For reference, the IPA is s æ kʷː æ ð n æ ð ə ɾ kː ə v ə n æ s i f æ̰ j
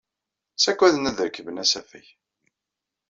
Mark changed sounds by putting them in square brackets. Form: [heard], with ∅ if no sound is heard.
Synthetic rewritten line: s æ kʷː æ ð n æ ð ə ɾ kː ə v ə n æ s [æ] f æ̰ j